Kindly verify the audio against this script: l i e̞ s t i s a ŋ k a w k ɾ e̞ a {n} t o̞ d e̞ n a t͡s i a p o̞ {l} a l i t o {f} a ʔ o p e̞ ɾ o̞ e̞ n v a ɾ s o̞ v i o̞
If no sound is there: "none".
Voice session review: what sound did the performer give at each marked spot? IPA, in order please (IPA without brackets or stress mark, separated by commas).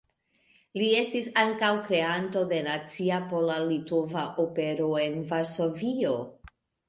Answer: n, l, v